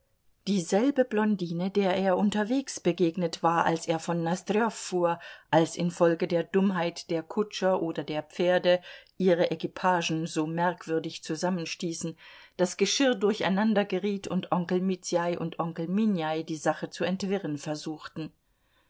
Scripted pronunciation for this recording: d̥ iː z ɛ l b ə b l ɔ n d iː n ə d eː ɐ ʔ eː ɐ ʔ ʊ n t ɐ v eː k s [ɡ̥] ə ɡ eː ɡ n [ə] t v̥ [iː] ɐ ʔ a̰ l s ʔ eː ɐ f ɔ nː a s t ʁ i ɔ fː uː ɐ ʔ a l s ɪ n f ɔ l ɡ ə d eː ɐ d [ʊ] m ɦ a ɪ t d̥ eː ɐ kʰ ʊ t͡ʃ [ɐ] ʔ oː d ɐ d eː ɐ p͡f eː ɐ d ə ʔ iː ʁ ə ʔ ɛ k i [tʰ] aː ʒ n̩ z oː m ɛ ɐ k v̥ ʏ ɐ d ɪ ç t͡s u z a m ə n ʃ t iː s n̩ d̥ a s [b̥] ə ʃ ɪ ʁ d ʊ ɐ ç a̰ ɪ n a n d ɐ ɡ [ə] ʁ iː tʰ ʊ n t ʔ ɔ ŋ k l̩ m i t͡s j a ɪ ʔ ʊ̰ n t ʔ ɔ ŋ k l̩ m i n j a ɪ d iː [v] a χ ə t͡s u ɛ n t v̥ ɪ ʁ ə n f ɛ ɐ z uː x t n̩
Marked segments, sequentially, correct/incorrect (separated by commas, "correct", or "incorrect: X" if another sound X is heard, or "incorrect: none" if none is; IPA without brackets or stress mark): incorrect: b̥, correct, incorrect: aː, correct, correct, incorrect: pʰ, incorrect: ɡ̥, correct, incorrect: z